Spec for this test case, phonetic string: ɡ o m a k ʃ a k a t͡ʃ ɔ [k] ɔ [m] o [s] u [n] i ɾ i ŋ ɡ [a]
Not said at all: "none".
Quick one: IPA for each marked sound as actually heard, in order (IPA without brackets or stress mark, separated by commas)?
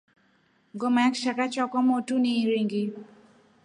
k, m, t, n, i